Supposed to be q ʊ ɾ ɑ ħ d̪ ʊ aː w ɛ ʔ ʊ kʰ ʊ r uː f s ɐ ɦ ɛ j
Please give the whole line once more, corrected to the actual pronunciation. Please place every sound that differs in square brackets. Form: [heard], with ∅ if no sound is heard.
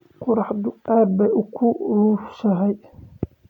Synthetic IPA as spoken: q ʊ ɾ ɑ ħ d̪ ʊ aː [b] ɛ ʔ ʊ kʰ ʊ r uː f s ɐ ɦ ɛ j

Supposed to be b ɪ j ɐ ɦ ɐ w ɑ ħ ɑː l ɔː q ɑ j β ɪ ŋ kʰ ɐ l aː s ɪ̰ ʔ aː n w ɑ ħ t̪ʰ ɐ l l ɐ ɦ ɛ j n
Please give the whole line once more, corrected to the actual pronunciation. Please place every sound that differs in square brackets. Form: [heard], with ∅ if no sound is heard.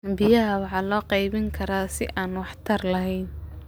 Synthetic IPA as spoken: b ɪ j ɐ ɦ ɐ w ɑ ħ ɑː l ɔː q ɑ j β ɪ ŋ kʰ ɐ [ɾ] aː s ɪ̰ ʔ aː n w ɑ ħ t̪ʰ ɐ [r] l ɐ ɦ ɛ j n

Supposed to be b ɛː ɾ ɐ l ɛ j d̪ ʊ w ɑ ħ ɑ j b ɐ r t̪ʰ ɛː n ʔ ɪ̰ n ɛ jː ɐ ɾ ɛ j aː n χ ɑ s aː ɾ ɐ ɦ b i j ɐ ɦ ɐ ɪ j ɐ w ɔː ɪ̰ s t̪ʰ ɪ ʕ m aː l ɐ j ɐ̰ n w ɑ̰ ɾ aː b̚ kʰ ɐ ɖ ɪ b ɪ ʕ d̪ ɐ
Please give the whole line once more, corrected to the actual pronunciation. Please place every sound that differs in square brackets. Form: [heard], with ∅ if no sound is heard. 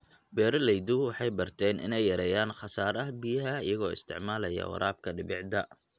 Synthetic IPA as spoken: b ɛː ɾ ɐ l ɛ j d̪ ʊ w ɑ ħ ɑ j b ɐ r t̪ʰ ɛː n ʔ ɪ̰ n ɛ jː ɐ ɾ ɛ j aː n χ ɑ s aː ɾ ɐ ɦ b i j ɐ ɦ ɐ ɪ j ɐ [ɣ] ɔː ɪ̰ s t̪ʰ ɪ ʕ m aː l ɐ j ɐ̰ [∅] w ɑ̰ ɾ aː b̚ kʰ ɐ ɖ ɪ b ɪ ʕ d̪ ɐ

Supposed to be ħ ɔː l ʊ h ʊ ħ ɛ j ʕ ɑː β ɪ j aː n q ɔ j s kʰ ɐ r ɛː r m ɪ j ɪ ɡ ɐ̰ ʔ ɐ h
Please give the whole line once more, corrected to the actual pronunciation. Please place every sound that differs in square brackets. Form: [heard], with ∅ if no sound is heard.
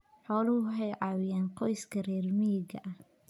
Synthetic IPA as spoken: ħ ɔː l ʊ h ʊ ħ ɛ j ʕ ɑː [w] ɪ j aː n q ɔ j s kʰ ɐ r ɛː r m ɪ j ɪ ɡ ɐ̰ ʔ ɐ h

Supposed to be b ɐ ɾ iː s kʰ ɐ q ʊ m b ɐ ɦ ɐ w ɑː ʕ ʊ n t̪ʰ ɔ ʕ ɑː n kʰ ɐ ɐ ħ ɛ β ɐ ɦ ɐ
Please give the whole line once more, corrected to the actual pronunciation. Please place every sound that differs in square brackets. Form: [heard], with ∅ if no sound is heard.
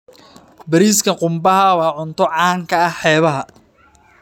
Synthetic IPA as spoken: b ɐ ɾ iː s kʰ ɐ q ʊ m b ɐ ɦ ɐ w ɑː ʕ ʊ n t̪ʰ ɔ ʕ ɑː [ŋ] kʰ ɐ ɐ ħ [ɛː] β ɐ ɦ ɐ

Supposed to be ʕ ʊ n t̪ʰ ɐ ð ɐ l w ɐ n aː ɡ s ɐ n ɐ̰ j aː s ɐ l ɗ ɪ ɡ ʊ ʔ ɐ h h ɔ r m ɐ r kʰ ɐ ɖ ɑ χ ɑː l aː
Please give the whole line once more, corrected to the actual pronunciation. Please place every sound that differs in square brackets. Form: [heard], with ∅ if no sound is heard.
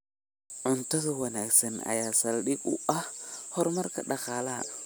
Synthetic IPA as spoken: ʕ ʊ n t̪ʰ ɐ ð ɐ [∅] w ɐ n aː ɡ s ɐ n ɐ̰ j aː s ɐ l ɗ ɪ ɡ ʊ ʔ ɐ h h ɔ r m ɐ r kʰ ɐ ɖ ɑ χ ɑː l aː

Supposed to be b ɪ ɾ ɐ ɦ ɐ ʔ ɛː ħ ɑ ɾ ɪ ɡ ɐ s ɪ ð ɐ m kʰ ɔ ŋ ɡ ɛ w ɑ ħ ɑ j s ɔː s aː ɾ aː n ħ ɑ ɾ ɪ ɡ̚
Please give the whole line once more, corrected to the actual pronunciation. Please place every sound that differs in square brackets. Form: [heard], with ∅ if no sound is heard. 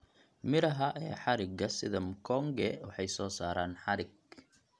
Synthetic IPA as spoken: [m] ɪ ɾ ɐ ɦ ɐ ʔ ɛː ħ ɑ ɾ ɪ ɡ ɐ s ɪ ð ɐ m kʰ ɔ ŋ ɡ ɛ w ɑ ħ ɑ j s ɔː s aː ɾ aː n ħ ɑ ɾ ɪ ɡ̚

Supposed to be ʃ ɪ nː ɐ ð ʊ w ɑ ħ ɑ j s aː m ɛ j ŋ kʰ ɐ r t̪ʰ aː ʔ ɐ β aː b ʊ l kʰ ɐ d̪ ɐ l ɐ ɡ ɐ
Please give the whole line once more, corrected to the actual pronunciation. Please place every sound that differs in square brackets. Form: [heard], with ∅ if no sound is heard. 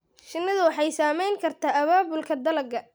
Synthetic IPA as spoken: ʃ ɪ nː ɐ ð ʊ w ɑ ħ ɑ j s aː m ɛ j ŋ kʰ ɐ r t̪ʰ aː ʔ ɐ β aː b ʊ l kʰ ɐ d̪ ɐ l ɐ ɡ ɐ

